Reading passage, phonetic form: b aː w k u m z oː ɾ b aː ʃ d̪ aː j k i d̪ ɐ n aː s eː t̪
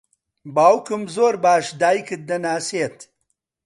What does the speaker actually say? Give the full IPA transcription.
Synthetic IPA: b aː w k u m z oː ɾ b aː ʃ d̪ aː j k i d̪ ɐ n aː s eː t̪